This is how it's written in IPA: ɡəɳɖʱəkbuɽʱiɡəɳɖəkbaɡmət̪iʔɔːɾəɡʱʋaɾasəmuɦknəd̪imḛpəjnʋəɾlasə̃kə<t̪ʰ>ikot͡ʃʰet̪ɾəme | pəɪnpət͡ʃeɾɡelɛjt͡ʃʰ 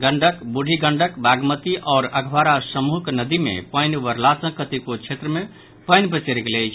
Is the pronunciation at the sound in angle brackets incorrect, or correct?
incorrect